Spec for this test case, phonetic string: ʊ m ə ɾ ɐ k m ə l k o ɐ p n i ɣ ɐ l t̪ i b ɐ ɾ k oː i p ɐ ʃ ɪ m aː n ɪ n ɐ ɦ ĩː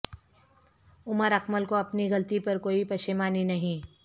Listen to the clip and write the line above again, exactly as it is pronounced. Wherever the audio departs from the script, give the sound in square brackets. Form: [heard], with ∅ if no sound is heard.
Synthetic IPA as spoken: ʊ m ə ɾ ɐ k m ə l k o ɐ p n i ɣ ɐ l t̪ i [p] ɐ ɾ k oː i p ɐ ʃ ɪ m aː n [i] n ɐ ɦ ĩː